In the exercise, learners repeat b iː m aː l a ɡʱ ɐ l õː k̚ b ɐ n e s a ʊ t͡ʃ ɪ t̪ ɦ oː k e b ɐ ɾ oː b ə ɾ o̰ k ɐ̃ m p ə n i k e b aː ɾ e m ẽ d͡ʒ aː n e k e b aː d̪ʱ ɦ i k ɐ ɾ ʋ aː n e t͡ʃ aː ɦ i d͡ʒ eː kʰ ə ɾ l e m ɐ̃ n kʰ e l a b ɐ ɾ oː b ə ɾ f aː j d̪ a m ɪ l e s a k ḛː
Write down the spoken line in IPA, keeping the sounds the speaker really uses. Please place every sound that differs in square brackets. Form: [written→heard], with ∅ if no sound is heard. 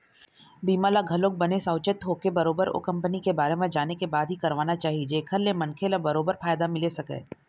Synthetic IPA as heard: b iː m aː l a ɡʱ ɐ l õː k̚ b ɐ n e s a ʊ t͡ʃ ɪ t̪ ɦ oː k e b ɐ ɾ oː b ə ɾ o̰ k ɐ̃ m p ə n i k e b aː ɾ e m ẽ d͡ʒ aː n e k e b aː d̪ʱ ɦ i k ɐ ɾ ʋ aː n [e→a] t͡ʃ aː ɦ i d͡ʒ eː kʰ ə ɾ l e m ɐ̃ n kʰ e l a b ɐ ɾ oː b ə ɾ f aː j d̪ a m ɪ l e s [a→ɐ] k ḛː